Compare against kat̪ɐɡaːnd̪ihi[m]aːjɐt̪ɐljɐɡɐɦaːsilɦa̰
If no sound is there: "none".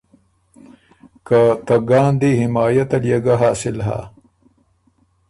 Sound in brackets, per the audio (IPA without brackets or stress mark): m